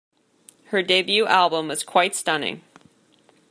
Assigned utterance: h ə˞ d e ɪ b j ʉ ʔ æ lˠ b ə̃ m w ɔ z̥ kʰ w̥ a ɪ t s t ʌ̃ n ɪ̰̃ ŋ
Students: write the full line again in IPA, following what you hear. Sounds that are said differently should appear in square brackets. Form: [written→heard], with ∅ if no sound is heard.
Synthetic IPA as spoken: h ə˞ d e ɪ b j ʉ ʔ æ lˠ b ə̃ m w [ɔ→ʌ] z̥ kʰ w̥ a ɪ t s t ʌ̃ n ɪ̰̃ ŋ